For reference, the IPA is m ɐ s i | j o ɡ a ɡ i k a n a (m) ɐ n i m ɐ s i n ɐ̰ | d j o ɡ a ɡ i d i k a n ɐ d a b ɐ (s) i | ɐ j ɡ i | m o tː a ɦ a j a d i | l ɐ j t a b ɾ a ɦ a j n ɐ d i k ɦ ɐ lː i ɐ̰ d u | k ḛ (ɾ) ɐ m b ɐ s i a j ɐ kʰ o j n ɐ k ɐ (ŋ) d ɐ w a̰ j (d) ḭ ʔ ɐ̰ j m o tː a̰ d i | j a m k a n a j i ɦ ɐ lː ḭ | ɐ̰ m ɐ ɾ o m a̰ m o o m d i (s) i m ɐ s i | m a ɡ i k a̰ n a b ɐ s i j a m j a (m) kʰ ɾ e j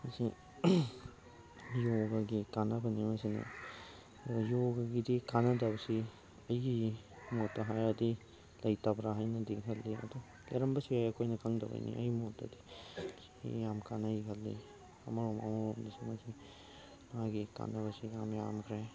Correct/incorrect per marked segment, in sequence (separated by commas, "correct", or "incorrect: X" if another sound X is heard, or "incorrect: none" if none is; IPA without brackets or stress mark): incorrect: b, correct, correct, correct, incorrect: n, correct, correct